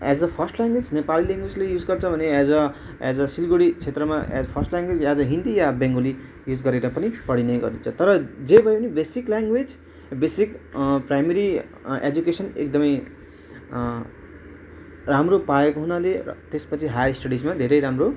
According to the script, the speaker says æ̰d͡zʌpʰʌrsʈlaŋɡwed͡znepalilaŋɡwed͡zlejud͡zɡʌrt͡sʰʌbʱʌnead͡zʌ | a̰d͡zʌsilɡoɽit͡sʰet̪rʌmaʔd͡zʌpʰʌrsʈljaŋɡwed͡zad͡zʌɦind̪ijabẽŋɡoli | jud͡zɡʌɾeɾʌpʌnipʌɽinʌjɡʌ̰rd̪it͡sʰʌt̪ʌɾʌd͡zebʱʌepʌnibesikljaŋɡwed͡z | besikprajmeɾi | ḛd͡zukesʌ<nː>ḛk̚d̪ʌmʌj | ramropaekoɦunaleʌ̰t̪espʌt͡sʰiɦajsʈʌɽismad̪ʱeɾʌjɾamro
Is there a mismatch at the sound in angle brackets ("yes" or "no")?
yes